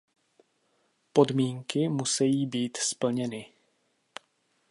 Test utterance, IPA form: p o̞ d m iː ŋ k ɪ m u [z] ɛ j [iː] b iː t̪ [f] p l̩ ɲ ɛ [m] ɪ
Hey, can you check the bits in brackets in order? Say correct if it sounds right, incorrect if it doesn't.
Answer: incorrect, correct, incorrect, incorrect

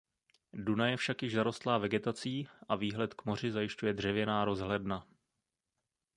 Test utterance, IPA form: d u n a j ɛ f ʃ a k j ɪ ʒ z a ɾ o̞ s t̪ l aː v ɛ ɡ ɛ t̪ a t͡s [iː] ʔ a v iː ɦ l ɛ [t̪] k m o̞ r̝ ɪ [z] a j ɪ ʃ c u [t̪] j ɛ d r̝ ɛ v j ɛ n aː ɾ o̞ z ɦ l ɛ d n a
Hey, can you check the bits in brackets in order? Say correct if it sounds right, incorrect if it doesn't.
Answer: correct, correct, correct, incorrect

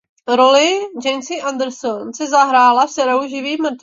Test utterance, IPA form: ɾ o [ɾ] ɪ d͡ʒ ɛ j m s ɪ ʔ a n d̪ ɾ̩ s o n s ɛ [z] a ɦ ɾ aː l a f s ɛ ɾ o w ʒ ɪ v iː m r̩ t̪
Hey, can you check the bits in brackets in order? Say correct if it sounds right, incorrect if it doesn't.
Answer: incorrect, correct

